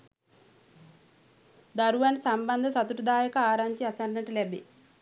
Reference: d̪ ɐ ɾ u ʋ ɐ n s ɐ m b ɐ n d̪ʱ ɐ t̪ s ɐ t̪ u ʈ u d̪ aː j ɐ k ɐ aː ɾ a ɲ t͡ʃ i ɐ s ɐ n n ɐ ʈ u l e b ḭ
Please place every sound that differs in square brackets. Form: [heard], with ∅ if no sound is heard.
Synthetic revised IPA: d̪ ɐ ɾ u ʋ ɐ n s ɐ m b ɐ n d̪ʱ ɐ [∅] s ɐ t̪ u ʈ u d̪ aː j ɐ k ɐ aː ɾ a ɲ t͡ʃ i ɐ s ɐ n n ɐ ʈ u l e b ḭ